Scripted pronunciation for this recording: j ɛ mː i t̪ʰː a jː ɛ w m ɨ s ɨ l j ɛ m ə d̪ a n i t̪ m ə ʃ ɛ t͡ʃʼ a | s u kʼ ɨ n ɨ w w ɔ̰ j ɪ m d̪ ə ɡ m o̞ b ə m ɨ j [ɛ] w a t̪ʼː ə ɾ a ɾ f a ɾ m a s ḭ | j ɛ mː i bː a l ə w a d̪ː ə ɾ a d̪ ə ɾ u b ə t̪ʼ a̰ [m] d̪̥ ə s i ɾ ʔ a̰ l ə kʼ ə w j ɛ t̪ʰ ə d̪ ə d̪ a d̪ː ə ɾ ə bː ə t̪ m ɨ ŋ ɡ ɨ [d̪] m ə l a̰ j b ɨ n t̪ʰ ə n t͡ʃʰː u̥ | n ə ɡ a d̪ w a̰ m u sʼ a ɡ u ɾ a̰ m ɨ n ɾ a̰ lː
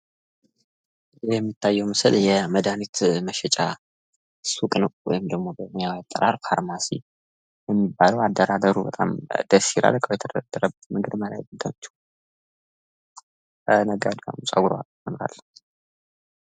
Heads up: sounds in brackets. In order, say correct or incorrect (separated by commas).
incorrect, correct, correct